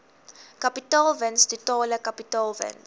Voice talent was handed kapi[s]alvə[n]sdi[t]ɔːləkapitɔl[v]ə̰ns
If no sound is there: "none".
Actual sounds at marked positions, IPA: t, n, t, v

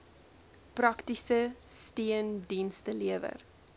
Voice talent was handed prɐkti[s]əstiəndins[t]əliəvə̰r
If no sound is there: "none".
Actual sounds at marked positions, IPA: s, t

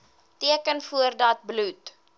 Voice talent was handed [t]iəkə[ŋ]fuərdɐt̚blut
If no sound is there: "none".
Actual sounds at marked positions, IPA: t, n

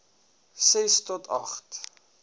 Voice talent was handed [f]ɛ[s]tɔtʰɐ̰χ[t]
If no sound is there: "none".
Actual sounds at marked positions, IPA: s, s, t

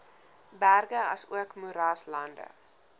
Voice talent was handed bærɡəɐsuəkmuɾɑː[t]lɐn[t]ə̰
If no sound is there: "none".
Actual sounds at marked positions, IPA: s, d

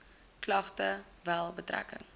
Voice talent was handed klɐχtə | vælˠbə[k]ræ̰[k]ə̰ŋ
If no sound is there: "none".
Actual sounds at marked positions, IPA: t, k

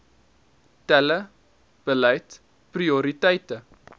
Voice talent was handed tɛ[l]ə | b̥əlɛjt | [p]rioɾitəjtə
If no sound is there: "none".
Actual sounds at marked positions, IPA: l, p

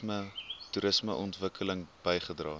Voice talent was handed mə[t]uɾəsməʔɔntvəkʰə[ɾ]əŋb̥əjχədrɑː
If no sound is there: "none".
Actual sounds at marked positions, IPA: t, l

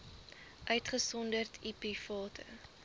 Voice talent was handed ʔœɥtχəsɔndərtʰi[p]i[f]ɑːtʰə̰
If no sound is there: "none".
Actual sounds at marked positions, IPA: p, f

